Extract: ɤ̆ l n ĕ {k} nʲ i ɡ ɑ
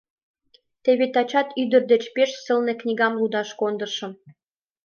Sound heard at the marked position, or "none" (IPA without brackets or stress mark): k